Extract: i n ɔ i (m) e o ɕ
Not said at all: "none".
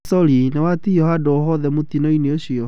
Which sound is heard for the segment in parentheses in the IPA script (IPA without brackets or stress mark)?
n